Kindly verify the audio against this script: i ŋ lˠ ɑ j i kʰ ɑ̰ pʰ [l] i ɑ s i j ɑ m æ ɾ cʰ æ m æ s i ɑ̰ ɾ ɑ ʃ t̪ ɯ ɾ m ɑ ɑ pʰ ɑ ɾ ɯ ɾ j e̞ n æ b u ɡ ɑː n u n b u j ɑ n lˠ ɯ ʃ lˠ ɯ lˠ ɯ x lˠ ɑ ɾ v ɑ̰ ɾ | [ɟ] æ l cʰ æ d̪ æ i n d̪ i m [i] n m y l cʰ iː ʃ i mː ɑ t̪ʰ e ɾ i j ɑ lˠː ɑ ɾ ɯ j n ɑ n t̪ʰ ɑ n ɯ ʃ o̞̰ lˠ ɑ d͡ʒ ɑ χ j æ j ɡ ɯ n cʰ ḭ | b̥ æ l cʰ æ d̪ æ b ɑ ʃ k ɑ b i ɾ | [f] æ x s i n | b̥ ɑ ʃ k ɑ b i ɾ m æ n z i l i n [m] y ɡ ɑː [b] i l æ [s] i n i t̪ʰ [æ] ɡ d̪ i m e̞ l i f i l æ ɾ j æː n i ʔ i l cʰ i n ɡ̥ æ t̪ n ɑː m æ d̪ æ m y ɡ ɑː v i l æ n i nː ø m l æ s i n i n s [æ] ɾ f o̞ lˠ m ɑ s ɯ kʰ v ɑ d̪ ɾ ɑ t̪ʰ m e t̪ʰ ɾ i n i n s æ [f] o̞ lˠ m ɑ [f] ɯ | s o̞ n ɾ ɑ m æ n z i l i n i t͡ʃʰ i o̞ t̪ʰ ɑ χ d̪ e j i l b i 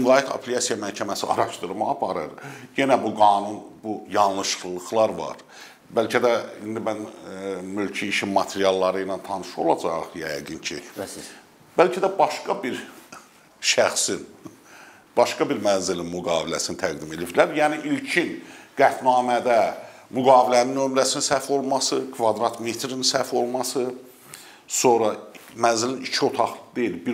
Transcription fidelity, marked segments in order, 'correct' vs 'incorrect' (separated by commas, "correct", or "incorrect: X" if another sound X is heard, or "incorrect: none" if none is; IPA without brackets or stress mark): correct, incorrect: b, incorrect: æ, incorrect: ʃ, correct, incorrect: v, correct, correct, correct, correct, incorrect: s